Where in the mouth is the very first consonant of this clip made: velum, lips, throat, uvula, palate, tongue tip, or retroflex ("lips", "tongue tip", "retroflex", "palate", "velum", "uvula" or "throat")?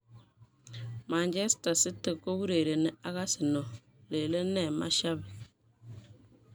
lips